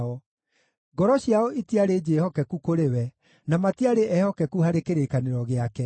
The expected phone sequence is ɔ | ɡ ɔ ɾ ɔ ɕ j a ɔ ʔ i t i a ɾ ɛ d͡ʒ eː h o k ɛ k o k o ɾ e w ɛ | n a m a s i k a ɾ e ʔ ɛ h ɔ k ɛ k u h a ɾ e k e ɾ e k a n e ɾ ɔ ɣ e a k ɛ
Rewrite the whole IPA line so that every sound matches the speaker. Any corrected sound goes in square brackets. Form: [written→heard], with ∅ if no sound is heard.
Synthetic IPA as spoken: ɔ | ɡ ɔ ɾ ɔ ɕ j a ɔ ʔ i t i a ɾ [ɛ→e] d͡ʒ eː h [o→ɔ] k ɛ k [o→u] k o ɾ e w ɛ | n a m a [s→t] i [k→∅] a ɾ e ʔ ɛ h ɔ k ɛ k u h a ɾ e k e ɾ e k a n e ɾ ɔ ɣ e a k ɛ

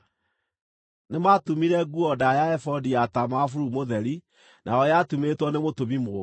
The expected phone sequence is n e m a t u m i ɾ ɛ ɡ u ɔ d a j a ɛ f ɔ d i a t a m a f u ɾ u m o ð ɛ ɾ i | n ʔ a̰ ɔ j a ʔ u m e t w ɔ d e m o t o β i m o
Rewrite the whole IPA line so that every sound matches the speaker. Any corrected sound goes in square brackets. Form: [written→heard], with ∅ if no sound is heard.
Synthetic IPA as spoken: n e m a t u m i ɾ ɛ ɡ u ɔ d a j a ɛ f ɔ d i a t a m a f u ɾ u m o ð ɛ ɾ i | n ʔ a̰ ɔ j a [ʔ→t] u m e t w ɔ [d→n] e m o t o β i m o

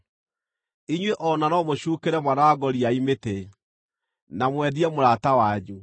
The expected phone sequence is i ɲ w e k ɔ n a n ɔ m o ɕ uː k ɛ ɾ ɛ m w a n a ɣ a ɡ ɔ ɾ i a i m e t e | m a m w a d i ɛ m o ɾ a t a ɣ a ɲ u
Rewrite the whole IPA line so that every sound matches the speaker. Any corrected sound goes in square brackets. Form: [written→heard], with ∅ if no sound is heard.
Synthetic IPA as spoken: i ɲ w e [k→ʔ] ɔ n a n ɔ m o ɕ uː k [ɛ→e] ɾ ɛ m w a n a [ɣ→w] a ɡ ɔ ɾ i a i m e t e | [m→n] a m w [a→ɛ] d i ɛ m o ɾ a t a [ɣ→w] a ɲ u

